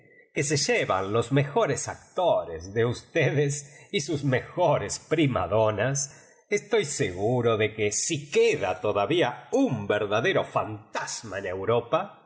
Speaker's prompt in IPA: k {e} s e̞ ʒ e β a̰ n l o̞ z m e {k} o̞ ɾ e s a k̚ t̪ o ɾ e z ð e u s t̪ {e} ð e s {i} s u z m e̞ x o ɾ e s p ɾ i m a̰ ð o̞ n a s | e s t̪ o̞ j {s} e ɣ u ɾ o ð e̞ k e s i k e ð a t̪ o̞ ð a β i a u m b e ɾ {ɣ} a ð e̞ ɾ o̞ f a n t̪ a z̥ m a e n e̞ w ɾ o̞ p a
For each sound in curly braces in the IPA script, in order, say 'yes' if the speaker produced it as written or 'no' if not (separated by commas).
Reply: yes, no, yes, yes, yes, no